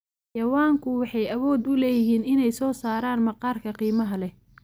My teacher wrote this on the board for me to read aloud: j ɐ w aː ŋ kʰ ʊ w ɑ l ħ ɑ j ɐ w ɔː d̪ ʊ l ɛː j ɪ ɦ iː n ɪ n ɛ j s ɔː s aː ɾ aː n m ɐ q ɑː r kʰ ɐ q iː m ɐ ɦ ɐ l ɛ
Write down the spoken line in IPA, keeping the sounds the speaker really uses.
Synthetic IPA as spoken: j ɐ w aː ŋ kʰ ʊ w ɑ ħ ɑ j ɐ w ɔː d̪ ʊ l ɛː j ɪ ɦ iː n ɪ n ɛ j s ɔː s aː ɾ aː n m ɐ q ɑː r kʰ ɐ q iː m ɐ ɦ ɐ l ɛ